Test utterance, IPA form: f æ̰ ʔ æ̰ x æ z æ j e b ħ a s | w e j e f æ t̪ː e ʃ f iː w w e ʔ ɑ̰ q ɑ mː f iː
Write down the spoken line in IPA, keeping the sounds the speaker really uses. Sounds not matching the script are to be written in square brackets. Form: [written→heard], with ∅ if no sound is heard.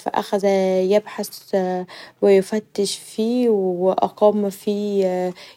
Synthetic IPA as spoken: f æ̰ ʔ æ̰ x æ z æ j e b ħ a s | w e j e f æ t̪ː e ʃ f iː w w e ʔ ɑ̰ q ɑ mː f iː